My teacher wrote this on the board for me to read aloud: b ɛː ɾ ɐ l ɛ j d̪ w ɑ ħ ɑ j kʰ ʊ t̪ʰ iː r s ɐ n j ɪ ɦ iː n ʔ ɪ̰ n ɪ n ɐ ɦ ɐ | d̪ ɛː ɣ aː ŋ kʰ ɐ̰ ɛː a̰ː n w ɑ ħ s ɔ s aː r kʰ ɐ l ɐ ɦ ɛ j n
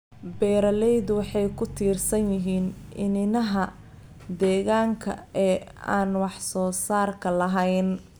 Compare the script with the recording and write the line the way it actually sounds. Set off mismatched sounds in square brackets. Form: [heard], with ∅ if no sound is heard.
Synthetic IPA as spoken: b ɛː ɾ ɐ l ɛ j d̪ w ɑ ħ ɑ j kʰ ʊ t̪ʰ iː r s ɐ n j ɪ ɦ iː n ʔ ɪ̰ n ɪ n ɐ ɦ ɐ | d̪ ɛː ɣ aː ŋ kʰ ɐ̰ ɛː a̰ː n w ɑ ħ s [ɔː] s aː r kʰ ɐ l ɐ ɦ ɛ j n